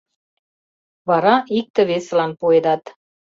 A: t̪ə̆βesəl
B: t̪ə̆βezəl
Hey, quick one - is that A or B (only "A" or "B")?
A